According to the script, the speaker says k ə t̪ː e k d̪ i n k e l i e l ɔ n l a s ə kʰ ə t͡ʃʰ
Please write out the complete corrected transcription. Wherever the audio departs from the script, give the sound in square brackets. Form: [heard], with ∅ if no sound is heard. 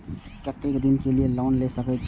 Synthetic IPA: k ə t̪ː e k d̪ i n k e l i e l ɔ n l [e] s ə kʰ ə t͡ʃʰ